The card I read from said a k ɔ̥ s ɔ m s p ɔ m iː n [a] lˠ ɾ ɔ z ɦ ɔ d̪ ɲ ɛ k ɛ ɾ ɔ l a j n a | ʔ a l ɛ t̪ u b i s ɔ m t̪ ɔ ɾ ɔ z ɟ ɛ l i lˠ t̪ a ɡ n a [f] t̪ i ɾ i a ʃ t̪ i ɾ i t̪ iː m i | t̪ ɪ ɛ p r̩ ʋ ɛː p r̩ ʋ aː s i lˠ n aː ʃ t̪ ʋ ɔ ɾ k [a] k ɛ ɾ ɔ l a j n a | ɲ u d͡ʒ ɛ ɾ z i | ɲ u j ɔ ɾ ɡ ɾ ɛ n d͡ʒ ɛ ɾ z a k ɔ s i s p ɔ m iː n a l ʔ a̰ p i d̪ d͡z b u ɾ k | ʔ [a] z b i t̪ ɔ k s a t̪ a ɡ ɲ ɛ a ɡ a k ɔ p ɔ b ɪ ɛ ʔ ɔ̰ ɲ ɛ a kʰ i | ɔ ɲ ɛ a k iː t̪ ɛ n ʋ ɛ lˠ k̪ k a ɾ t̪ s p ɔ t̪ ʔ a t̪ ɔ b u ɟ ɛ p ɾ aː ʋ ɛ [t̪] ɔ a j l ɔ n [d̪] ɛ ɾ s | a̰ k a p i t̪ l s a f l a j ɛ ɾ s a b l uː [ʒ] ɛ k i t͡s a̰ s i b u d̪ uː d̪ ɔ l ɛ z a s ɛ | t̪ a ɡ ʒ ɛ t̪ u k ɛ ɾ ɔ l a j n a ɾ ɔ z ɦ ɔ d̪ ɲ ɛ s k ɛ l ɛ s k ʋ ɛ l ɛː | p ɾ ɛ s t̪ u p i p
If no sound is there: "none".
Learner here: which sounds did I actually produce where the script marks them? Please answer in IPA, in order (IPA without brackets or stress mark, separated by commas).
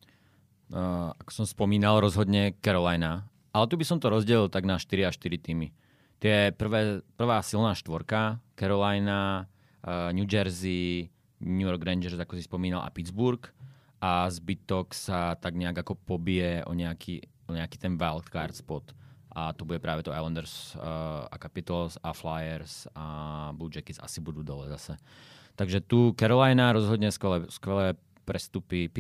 a, ʃ, a, a, t̪, d̪, d͡ʒ